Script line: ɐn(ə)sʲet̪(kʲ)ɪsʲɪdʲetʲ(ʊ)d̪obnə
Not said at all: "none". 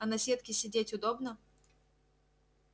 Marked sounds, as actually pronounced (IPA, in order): ɐ, kʲ, ʊ

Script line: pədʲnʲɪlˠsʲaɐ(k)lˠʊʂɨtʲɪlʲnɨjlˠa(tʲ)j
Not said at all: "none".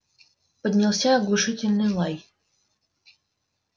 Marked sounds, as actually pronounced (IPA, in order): ɡ, none

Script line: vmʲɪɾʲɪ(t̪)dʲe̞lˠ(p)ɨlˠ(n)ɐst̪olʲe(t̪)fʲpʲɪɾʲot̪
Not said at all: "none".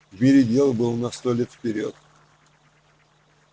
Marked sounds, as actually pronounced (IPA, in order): none, b, n, t̪

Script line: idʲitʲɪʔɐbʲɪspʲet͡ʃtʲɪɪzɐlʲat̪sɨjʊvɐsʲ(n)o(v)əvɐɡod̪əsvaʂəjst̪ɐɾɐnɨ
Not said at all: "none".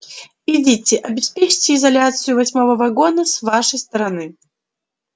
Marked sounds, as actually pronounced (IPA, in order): m, v

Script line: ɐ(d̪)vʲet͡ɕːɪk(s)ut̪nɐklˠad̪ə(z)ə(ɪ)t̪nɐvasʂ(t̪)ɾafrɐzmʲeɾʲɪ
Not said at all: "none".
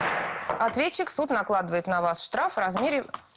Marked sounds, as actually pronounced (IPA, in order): t̪, s, v, ɪ, t̪

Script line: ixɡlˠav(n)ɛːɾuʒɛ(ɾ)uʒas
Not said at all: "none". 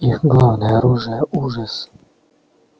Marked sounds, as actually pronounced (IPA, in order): n, none

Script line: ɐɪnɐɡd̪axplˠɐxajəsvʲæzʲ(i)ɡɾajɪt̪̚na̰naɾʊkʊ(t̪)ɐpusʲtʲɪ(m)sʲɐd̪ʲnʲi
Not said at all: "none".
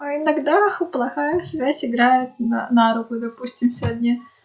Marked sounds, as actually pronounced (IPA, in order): ɪ, d̪, m

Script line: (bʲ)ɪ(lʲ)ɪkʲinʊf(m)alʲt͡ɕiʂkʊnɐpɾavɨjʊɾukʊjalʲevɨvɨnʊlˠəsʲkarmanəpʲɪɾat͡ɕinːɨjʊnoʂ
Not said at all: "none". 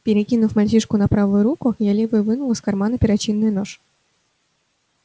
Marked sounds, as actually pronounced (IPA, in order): pʲ, ɾʲ, m

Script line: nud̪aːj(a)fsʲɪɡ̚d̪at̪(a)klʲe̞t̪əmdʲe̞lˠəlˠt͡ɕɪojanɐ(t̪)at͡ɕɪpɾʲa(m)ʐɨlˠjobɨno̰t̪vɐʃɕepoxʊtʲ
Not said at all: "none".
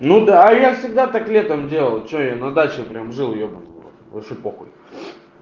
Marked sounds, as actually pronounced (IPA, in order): a, a, d̪, m

